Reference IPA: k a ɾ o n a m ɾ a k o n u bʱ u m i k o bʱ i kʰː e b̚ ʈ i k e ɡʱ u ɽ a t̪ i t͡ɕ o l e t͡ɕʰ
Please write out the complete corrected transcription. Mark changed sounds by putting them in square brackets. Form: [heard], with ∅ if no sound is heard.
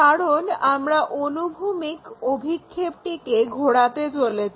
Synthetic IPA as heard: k a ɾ o n a m ɾ a [ʔ] o n u bʱ u m i k o bʱ i kʰː e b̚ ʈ i k e ɡʱ [o] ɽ a t̪ [e] t͡ɕ o l e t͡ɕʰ

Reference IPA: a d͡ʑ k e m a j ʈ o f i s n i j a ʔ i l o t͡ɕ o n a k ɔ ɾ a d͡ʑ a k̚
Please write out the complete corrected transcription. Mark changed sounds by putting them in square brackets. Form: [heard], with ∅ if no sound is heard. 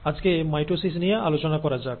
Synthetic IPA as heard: a d͡ʑ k e m a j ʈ o [s] i s n i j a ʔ [a] l o t͡ɕ o n a k ɔ ɾ a d͡ʑ a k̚

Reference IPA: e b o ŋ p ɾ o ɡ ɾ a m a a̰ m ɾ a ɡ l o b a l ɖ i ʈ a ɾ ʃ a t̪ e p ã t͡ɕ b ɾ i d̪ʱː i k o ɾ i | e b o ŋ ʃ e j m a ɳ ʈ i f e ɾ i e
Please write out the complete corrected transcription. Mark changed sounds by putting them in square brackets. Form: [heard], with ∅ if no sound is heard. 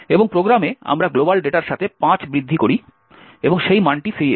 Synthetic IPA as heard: e b o ŋ p ɾ o ɡ ɾ a m [e] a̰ m ɾ a ɡ l o b a l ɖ [e] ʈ a ɾ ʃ a [t̪ʰ] e p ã t͡ɕ b ɾ i d̪ʱː i k o ɾ i | e b o ŋ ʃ e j m a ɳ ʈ i f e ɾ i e

